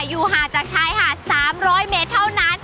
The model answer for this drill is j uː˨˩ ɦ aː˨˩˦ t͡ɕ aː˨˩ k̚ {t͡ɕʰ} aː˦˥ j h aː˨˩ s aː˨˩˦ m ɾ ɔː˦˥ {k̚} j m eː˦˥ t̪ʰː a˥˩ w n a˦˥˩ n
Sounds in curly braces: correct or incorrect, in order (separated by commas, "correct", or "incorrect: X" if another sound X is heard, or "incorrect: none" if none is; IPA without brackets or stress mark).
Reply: correct, incorrect: none